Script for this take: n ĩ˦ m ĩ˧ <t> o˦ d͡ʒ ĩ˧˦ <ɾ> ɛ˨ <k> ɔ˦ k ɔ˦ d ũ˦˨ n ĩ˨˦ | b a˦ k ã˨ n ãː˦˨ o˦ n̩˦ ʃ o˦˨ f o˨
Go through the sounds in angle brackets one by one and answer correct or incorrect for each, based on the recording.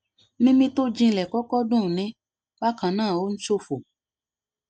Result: correct, incorrect: l, correct

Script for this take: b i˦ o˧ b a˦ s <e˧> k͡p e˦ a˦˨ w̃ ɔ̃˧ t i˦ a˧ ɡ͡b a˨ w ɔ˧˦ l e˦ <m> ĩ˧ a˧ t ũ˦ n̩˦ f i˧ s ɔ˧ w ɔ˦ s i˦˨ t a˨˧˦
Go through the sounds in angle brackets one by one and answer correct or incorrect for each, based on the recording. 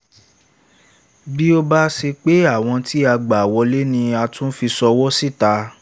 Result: correct, incorrect: n

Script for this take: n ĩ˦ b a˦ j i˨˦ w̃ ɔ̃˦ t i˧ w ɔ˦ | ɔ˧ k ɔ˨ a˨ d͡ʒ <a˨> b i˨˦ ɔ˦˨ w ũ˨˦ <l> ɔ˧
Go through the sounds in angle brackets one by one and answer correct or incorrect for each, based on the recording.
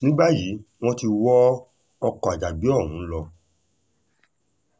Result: correct, correct

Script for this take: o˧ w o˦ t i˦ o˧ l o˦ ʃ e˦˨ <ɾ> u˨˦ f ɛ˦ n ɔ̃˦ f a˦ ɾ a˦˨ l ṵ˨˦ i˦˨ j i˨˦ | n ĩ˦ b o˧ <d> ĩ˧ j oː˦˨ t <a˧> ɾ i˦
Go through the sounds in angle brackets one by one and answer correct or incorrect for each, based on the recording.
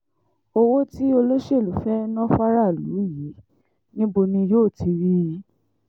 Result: incorrect: l, incorrect: n, incorrect: i˧

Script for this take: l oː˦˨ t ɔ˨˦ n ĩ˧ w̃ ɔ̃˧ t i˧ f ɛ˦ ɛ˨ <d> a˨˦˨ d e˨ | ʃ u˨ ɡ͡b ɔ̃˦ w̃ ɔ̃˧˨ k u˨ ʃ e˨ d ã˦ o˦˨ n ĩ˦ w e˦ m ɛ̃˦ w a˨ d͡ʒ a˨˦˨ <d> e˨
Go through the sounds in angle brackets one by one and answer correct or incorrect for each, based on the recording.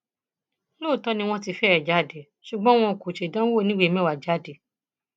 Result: incorrect: d͡ʒ, correct

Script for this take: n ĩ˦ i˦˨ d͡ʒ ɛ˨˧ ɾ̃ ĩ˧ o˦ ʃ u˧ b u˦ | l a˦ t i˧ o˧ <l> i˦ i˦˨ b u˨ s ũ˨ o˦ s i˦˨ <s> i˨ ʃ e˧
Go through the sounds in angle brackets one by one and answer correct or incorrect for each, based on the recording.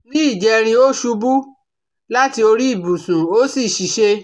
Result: incorrect: ɾ, incorrect: ʃ

